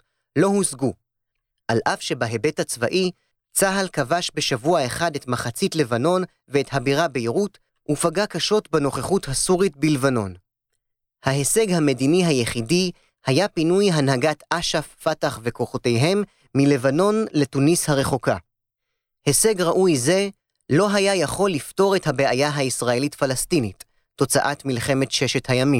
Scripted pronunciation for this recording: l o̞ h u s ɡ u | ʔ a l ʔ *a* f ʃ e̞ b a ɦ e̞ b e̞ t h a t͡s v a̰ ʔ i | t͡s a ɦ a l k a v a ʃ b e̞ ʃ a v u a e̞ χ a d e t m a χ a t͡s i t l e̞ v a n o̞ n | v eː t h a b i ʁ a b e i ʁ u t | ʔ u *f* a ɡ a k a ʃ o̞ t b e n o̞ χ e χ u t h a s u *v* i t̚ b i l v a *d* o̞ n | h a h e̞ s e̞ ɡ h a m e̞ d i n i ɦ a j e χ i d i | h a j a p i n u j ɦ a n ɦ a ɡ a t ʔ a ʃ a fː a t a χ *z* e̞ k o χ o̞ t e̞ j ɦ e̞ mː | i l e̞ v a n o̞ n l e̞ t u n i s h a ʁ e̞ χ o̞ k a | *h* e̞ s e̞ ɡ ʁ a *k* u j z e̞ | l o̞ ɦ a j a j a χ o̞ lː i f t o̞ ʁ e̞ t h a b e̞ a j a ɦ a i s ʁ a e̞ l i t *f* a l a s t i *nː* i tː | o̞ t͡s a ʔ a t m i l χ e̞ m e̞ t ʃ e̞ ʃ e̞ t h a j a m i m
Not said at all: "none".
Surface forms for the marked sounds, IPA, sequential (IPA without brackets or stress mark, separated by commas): a, f, ʁ, n, v, h, ʔ, f, n